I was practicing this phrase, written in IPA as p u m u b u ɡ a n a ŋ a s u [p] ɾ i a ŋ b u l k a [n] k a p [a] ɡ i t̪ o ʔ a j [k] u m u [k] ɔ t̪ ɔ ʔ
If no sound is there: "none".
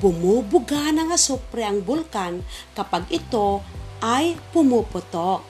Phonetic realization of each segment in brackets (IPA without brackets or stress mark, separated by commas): p, n, a, p, p